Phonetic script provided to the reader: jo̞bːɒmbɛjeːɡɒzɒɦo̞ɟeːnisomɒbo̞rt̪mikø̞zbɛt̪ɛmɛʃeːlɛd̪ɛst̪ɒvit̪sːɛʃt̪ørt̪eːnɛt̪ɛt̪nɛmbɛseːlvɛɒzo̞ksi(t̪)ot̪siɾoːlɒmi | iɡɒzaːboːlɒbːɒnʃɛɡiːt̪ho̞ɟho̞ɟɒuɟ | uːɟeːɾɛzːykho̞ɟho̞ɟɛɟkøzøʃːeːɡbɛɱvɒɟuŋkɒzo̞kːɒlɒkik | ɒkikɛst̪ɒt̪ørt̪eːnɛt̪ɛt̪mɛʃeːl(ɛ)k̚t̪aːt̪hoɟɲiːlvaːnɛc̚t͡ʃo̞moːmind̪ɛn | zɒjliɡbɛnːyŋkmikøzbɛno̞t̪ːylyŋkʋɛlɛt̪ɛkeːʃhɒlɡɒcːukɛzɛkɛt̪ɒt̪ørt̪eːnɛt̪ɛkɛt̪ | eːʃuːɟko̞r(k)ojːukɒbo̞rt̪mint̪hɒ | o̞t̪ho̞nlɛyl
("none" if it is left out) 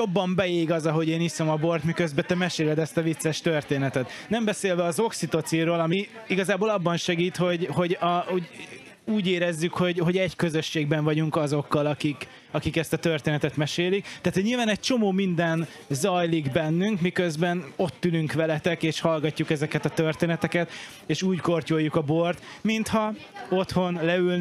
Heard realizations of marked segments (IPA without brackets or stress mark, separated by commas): t̪, i, c